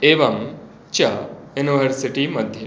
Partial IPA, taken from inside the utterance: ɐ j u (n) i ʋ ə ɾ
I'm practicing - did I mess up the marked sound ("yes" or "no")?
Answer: no